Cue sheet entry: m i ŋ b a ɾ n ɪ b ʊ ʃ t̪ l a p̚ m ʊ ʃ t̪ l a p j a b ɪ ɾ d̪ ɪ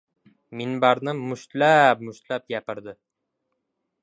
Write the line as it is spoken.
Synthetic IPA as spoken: m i n b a ɾ n ɪ m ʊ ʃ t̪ l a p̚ m ʊ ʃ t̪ l a p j a p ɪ ɾ d̪ ɪ

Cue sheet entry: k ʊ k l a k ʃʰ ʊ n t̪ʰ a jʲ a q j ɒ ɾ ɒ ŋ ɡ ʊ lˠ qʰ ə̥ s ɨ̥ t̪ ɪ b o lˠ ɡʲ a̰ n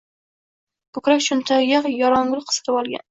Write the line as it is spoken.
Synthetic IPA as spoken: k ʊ k ɾ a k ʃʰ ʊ n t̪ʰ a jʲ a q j ɒ ɾ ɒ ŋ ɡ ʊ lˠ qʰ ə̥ s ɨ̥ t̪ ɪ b ɒ lˠ ɡʲ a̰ n

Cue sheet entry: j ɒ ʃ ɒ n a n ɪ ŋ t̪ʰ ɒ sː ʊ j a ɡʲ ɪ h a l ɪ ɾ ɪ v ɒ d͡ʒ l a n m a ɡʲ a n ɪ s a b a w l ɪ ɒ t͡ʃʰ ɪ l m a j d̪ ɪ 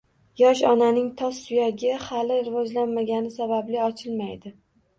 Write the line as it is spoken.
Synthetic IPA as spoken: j ɒ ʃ ɒ n a n ɪ ŋ t̪ʰ ɒ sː ʊ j a ɡʲ ɪ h a l ɪ ɾ ɪ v ɒ d͡ʒ l a n m a ɡʲ a n ɪ s a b a b l ɪ ɒ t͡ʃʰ ɪ l m a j d̪ ɪ

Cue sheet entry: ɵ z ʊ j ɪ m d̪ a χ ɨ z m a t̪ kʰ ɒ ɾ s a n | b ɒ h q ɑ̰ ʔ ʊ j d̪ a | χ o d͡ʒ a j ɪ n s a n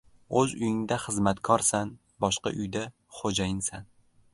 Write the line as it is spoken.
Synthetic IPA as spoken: ɵ z ʊ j ɪ ŋ d̪ a χ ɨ z m a t̪ kʰ ɒ ɾ s a n | b ɒ ʃ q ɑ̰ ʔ ʊ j d̪ a | χ o d͡ʒ a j ɪ n s a n

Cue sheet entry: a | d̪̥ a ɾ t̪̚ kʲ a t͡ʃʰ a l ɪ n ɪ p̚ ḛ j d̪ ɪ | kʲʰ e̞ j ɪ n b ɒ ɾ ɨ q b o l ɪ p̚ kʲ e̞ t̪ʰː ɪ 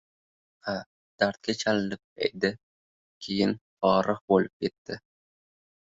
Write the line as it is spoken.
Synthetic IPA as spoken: a | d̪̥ a ɾ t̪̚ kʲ a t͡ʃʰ a l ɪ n ɪ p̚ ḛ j d̪ ɪ | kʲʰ e̞ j ɪ n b ɒ ɾ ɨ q b o l ɪ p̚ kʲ e̞ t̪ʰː ɪ

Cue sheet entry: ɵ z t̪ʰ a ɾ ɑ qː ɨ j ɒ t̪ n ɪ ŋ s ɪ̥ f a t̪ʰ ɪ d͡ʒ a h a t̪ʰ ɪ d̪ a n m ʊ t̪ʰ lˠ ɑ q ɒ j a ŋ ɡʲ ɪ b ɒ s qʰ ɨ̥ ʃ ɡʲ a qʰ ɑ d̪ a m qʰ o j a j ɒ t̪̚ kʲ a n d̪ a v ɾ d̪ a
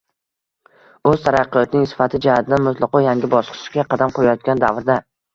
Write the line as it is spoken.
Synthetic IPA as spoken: ɵ z t̪ʰ a ɾ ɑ qː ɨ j ɒ t̪ n ɪ ŋ s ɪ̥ f a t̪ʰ ɪ d͡ʒ a h a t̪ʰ ɪ d̪ a n m ʊ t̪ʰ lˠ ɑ q ɒ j a ŋ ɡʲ ɪ b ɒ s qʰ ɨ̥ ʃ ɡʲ a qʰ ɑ d̪ a m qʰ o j a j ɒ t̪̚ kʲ a n d̪ a v ɾ d̪ a

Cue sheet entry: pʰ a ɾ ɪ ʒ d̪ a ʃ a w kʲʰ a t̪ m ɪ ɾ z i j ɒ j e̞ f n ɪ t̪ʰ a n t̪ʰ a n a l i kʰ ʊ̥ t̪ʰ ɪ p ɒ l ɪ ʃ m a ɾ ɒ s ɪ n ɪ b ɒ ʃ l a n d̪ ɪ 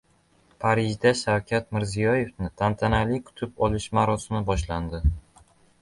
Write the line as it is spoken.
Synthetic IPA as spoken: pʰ a ɾ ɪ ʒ d̪ a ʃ a w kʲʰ a t̪ m ɪ ɾ z i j ɒ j e̞ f n ɪ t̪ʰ a n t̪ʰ a n a l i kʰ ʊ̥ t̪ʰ ɪ p ɒ l ɪ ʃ m a ɾ ɒ s ɪ m ɪ b ɒ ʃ l a n d̪ ɪ

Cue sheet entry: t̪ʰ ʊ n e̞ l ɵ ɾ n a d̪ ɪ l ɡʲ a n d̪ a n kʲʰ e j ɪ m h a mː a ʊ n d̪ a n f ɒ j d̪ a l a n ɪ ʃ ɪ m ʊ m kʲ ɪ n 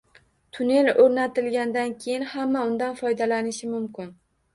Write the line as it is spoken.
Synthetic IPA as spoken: t̪ʰ ʊ n e̞ l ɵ ɾ n a t̪ ɪ l ɡʲ a n d̪ a n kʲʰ e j ɪ n h a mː a ʊ n d̪ a n f ɒ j d̪ a l a n ɪ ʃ ɪ m ʊ m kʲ ɪ n

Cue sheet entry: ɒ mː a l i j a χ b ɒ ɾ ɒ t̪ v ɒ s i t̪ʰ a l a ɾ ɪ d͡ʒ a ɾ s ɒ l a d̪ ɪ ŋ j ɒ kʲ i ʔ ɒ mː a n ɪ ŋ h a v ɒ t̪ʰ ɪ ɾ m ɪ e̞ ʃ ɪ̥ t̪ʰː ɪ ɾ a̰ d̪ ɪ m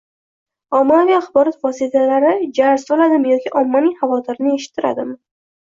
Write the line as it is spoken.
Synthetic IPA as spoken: ɒ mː a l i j a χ b ɒ ɾ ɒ t̪ v ɒ s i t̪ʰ a l a ɾ ɪ d͡ʒ a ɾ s ɒ l a d̪ ɪ m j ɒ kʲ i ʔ ɒ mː a n ɪ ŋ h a v ɒ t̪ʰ ɪ ɾ n ɪ e̞ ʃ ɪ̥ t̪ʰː ɪ ɾ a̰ d̪ ɪ m

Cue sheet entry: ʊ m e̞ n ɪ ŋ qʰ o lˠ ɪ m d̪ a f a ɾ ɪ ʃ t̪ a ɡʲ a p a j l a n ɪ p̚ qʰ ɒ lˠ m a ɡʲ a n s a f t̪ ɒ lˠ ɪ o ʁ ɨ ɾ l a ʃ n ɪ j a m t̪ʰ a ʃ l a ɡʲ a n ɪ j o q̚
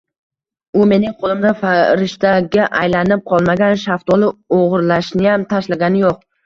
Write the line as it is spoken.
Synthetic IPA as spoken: ʊ m e̞ n ɪ ŋ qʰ o lˠ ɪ m d̪ a f a ɾ ɪ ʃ t̪ a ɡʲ a ʔ a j l a n ɪ p̚ qʰ ɒ lˠ m a ɡʲ a n ʃ a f t̪ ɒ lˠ ɪ o ʁ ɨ ɾ l a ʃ n ɪ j a m t̪ʰ a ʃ l a ɡʲ a n ɪ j o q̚

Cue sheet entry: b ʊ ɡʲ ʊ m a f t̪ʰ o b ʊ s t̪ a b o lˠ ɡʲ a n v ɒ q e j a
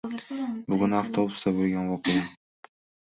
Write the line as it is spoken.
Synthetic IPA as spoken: b ʊ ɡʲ ʊ n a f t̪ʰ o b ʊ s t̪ a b o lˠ ɡʲ a n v ɒ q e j a

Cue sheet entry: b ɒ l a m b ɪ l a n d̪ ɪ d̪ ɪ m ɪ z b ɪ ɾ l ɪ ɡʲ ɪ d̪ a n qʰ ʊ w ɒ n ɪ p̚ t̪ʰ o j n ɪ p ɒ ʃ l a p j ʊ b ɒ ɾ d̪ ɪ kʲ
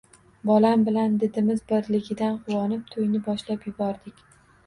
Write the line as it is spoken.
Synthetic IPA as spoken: b ɒ l a m b ɪ l a n d̪ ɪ d̪ ɪ m ɪ z b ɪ ɾ l ɪ ɡʲ ɪ d̪ a n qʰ ʊ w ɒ n ɪ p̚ t̪ʰ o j n ɪ b ɒ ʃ l a p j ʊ b ɒ ɾ d̪ ɪ kʲ

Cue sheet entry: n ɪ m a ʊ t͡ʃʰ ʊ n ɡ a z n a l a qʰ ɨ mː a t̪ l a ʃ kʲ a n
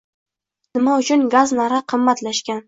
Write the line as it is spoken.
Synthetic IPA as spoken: n ɪ m a ʊ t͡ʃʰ ʊ n ɡ a z n a ɾ a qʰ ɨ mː a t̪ l a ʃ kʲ a n

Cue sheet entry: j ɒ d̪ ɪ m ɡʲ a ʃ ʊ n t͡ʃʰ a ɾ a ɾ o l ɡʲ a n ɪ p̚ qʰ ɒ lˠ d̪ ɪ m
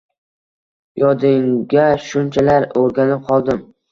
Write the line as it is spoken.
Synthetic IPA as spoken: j ɒ d̪ ɪ ŋ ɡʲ a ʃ ʊ n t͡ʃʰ a l a ɾ o ɾ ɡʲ a n ɪ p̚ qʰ ɒ lˠ d̪ ɪ m

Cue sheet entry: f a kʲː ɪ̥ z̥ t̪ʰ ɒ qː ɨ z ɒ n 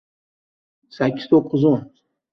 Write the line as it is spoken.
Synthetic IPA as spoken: s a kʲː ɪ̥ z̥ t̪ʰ o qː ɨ z o n

